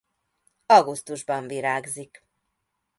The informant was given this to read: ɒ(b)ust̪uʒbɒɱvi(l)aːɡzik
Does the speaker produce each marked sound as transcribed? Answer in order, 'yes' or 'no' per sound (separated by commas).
no, no